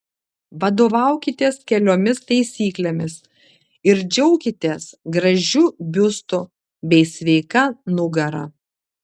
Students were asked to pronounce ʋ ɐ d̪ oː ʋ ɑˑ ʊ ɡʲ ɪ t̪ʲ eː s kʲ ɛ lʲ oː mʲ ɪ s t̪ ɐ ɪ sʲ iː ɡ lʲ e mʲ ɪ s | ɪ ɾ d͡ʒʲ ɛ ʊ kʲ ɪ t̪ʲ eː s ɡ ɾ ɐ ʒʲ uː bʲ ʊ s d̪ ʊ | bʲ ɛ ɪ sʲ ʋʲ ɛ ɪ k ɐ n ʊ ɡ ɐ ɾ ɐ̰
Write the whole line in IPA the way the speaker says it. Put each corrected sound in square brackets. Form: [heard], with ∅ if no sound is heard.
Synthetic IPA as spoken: ʋ ɐ d̪ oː ʋ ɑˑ ʊ [kʲ] ɪ t̪ʲ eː s kʲ ɛ lʲ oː mʲ ɪ s t̪ ɐ ɪ sʲ iː [k] lʲ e mʲ ɪ s | ɪ ɾ d͡ʒʲ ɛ ʊ kʲ ɪ t̪ʲ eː s ɡ ɾ ɐ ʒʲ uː bʲ ʊ s [t̪] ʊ | bʲ ɛ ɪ sʲ ʋʲ ɛ ɪ k ɐ n ʊ ɡ ɐ ɾ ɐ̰